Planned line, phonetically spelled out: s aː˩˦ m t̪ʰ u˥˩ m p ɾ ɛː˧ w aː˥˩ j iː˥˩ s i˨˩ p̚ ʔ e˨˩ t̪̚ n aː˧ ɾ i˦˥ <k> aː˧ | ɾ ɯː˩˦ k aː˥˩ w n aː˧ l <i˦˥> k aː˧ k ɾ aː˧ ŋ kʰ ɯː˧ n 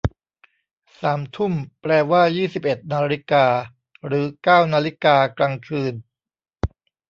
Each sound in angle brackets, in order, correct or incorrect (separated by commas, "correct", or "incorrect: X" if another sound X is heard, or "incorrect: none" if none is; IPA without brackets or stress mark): correct, correct